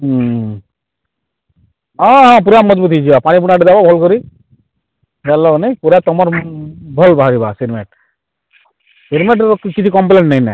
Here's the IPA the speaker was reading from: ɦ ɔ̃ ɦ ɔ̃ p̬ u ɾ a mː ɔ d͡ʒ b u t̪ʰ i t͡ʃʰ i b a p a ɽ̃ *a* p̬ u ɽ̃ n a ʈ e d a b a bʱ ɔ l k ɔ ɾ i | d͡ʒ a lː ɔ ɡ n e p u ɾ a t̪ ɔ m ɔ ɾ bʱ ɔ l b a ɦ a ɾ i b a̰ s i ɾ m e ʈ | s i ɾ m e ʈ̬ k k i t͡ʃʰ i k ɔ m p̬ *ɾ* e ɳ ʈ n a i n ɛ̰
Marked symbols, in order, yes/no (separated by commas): no, no